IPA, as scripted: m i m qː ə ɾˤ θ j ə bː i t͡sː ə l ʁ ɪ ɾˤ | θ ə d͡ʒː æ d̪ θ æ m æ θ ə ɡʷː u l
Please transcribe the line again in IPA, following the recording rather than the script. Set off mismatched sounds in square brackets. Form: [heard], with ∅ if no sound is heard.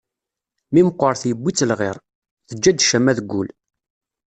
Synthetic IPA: m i m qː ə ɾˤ θ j ə bː i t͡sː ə l ʁ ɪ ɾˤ | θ ə d͡ʒː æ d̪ [ʃ] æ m æ [ð] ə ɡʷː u l

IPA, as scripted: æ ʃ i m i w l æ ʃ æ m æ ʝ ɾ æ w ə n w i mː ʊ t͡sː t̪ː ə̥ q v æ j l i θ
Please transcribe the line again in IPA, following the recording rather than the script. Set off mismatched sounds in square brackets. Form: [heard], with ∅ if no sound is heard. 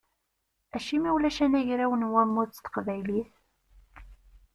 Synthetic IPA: æ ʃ i m i w l æ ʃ æ [n] æ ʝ ɾ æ w ə n w [æ] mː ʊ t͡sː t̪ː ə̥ q v æ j l i θ

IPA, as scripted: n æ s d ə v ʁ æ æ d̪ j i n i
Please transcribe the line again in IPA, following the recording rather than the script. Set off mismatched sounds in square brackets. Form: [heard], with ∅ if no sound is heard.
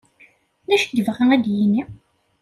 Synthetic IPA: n æ [ʃ] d ə v ʁ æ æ d̪ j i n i

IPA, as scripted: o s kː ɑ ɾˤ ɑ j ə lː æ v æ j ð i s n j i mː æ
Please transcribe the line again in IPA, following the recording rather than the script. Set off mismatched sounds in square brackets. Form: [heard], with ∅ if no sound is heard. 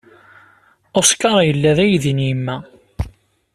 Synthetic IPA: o s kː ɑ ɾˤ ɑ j ə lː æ [ð] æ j ð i [∅] n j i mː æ

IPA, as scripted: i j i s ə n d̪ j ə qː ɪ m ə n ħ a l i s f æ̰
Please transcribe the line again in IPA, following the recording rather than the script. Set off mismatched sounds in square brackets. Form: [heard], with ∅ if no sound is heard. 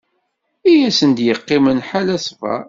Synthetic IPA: i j [æ] s ə n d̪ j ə qː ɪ m ə n ħ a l [æ] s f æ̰

